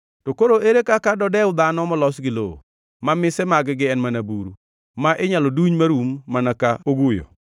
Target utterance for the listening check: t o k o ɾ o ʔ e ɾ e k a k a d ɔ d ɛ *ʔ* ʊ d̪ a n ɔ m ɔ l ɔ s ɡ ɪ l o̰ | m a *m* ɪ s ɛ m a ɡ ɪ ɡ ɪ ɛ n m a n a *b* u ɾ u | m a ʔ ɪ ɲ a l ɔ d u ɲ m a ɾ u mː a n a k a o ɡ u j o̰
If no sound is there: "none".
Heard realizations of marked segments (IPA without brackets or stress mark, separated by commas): none, m, b